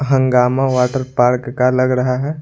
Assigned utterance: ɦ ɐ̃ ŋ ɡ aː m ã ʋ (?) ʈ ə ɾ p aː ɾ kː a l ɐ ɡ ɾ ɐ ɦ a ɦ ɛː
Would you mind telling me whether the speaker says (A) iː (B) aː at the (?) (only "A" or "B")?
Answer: B